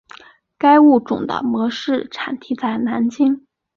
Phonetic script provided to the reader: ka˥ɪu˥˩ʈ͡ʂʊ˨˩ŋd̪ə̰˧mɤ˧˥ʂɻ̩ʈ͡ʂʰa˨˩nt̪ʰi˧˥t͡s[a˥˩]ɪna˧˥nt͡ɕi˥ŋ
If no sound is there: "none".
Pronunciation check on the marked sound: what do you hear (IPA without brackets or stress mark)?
a˥˩